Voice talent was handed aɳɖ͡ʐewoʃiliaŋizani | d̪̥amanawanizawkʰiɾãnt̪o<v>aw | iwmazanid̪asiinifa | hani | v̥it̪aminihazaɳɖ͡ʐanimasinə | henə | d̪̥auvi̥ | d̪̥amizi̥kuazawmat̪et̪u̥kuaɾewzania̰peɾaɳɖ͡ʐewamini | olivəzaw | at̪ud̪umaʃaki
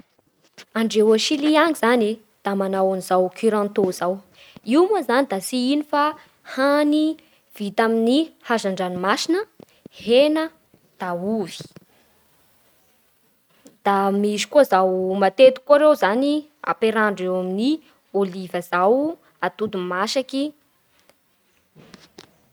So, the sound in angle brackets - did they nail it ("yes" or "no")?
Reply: no